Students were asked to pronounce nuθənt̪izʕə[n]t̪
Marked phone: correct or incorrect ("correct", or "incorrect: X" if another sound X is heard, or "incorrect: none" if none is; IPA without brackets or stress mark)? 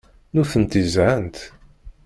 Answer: correct